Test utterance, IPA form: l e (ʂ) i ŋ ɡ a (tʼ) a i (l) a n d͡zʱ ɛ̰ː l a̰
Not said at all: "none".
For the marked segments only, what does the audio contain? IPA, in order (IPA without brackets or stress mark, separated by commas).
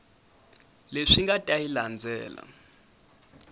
ʂ, tʼ, l